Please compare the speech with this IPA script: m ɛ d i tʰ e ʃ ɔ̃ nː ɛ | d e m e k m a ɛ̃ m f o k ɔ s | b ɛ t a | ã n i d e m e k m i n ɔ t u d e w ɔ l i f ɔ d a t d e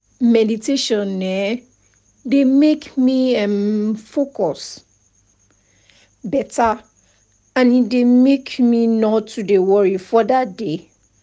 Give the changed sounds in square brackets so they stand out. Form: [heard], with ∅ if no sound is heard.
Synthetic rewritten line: m ɛ d i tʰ e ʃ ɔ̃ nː ɛ | d e m e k m [i] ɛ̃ m f o k ɔ s | b ɛ t a | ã n i d e m e k m i n ɔ t u d e w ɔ [ɹ] i f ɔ d a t d e